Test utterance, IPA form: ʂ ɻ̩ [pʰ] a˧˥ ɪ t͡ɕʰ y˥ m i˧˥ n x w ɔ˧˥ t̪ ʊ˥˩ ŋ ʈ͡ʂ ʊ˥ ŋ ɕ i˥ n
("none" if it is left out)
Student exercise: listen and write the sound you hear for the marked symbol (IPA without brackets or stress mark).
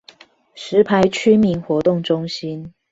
pʰ